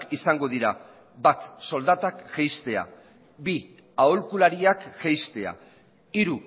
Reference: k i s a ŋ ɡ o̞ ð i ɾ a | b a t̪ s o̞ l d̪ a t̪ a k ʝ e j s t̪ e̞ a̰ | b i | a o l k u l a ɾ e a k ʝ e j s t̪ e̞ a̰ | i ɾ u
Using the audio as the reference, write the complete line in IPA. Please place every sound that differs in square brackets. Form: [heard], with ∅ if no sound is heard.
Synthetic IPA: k i s a ŋ ɡ o̞ ð i ɾ a | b a t̪ s o̞ l d̪ a t̪ a k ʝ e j s t̪ e̞ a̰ | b i | a o l k u l a ɾ [i] a k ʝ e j s t̪ e̞ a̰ | i ɾ u